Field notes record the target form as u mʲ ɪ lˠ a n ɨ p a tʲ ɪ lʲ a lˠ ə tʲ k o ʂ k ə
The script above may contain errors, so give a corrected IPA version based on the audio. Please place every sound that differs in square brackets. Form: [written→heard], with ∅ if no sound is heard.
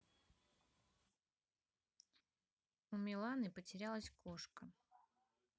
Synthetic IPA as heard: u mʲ ɪ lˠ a n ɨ p [a→ə] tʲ ɪ [lʲ→ɾʲ] a lˠ ə [tʲ→sʲ] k o ʂ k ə